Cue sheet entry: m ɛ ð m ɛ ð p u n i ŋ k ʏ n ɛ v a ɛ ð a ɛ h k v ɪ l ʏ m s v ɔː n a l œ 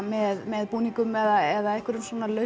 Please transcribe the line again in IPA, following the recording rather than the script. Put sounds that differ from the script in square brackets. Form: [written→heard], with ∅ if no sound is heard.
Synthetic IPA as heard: m ɛ ð m ɛ ð p [u→uː] n i ŋ k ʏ [n→m] ɛ [v→ð] a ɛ ð a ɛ h k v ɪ [l→ɾ] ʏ m s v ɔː n a l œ